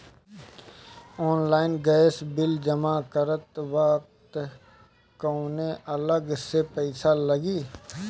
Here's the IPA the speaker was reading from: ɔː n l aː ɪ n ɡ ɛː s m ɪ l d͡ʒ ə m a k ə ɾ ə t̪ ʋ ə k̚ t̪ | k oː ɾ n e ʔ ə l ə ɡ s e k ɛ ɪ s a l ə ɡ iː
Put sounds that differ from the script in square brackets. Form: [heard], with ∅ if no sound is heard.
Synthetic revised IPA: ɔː n l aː ɪ n ɡ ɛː s [b] ɪ l d͡ʒ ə m a k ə ɾ ə t̪ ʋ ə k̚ t̪ | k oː [∅] n e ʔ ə l ə ɡ s e [p] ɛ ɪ s a l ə ɡ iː